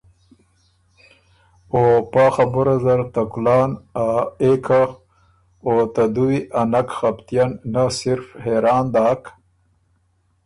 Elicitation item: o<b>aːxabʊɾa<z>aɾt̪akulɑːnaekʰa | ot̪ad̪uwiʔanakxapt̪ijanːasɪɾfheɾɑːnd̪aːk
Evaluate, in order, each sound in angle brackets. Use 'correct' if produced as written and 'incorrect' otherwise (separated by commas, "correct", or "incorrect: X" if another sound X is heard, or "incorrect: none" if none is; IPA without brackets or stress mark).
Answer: incorrect: p, correct